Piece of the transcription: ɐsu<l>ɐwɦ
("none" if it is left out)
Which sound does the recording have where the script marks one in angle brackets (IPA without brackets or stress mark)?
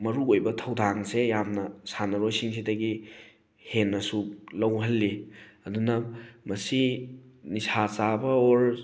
l